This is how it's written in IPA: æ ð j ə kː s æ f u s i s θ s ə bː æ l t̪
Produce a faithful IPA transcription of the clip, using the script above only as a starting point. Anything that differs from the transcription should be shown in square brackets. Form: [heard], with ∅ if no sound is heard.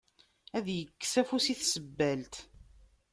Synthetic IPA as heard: æ ð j ə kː s æ f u s i [∅] θ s ə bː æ l t̪